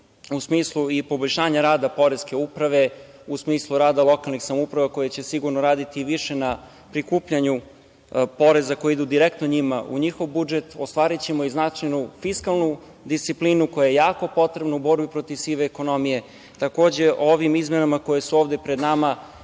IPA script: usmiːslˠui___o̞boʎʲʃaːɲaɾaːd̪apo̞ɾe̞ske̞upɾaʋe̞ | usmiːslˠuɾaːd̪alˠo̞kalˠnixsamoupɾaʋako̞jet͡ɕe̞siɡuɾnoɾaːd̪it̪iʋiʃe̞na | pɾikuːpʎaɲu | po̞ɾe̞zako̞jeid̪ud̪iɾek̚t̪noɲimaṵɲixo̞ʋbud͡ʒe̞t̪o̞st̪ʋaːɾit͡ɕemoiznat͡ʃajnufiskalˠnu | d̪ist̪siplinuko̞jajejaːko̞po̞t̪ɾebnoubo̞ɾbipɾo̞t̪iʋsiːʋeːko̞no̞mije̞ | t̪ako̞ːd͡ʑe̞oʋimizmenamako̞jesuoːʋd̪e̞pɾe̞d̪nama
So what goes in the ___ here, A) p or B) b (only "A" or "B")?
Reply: A